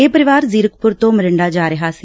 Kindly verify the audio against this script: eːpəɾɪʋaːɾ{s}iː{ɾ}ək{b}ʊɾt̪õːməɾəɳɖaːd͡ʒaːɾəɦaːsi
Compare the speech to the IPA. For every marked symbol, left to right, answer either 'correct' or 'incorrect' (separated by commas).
incorrect, correct, incorrect